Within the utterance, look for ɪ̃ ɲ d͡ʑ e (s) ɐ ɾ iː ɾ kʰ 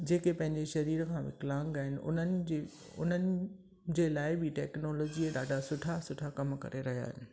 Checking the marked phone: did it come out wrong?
yes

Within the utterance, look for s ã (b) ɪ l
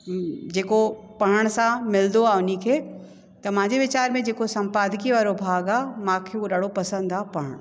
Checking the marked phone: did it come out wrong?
yes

